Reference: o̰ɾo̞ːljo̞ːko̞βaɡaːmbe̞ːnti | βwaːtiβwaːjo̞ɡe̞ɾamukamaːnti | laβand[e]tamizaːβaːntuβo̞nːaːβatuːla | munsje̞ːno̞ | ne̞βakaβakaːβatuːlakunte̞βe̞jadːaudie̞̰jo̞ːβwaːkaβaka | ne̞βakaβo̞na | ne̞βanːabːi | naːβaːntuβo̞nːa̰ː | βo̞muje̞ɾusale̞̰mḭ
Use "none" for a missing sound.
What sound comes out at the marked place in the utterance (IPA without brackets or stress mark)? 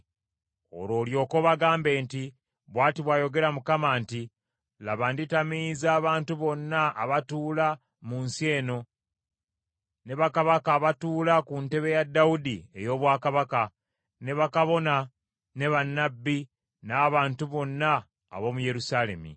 i